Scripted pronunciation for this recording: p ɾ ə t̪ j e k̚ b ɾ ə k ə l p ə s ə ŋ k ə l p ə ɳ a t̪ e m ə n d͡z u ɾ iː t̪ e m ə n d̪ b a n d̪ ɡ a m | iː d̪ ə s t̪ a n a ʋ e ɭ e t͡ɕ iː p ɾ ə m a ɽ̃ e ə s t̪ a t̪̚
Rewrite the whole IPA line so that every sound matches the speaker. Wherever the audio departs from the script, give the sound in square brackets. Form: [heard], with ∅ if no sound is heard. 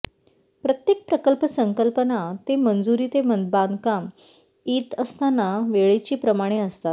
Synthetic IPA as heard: p ɾ ə t̪ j e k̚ [p] ɾ ə k ə l p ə s ə ŋ k ə l p ə [n] a t̪ e m ə n d͡z u ɾ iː t̪ e m ə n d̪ b a n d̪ [k] a m | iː [t̪] ə s t̪ a n a ʋ e ɭ e t͡ɕ iː p ɾ ə m a ɽ̃ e ə s t̪ a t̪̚